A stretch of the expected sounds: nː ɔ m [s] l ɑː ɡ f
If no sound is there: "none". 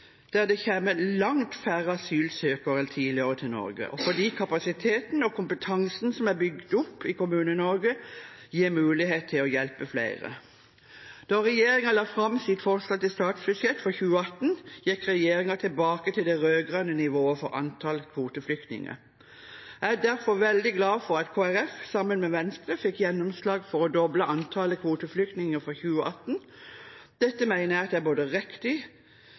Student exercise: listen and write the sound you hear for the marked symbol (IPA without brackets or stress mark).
s